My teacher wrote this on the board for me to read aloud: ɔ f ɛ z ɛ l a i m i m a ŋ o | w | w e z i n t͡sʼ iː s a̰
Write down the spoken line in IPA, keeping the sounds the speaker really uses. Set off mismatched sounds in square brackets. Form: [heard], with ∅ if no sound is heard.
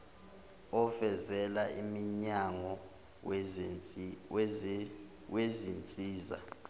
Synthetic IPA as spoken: ɔ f ɛ z ɛ l a i m i [ɲ] a ŋ [ɔ] | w | w e z i n t͡sʼ iː [z] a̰